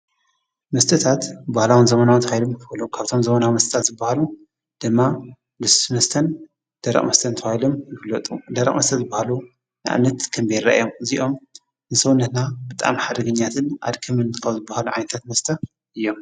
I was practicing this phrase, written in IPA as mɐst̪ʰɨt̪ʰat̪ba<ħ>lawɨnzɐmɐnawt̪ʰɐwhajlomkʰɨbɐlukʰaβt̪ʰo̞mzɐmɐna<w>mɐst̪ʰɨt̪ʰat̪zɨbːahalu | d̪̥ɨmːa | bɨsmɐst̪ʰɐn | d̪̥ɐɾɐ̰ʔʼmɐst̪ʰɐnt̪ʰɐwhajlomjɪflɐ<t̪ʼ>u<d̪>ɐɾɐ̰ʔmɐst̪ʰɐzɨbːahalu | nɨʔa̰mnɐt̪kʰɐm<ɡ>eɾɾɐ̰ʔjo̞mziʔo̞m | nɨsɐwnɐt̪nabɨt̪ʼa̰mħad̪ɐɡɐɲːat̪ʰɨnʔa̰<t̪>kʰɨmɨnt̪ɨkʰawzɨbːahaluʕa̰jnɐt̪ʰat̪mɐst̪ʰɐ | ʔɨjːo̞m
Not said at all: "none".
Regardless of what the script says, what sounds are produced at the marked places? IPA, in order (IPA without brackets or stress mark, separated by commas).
h, w, t̪ʼ, d̪, b, d̪